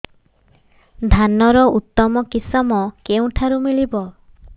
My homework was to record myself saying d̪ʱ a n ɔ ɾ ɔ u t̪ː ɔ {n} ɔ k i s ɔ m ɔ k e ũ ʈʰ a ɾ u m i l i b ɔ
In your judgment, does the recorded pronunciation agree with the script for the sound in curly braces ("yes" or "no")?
no